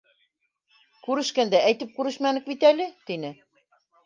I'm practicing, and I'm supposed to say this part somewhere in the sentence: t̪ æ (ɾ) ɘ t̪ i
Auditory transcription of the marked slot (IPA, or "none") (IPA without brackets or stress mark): l